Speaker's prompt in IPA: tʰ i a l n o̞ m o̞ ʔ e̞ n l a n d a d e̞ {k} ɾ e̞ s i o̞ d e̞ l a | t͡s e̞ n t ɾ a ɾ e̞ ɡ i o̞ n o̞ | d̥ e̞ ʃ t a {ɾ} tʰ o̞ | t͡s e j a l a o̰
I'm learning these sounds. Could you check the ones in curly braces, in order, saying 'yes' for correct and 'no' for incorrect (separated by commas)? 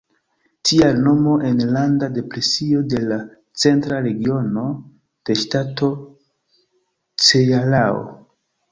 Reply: no, no